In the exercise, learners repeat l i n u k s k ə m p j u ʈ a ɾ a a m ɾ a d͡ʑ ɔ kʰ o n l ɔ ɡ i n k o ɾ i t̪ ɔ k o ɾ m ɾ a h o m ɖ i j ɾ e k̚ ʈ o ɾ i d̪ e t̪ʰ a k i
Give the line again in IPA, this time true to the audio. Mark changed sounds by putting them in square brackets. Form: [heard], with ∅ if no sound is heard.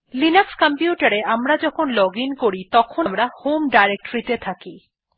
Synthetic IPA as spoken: l i n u k s k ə m p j u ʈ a ɾ [e] a m ɾ a d͡ʑ ɔ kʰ o n l ɔ ɡ i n k o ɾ i t̪ ɔ [kʰ] o [∅] m ɾ a h o m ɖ [a] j ɾ e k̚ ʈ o ɾ i [t̪] e t̪ʰ a k i